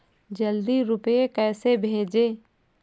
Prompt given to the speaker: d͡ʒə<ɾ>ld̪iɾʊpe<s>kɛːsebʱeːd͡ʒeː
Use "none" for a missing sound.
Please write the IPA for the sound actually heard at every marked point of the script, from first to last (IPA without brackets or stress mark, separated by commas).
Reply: none, none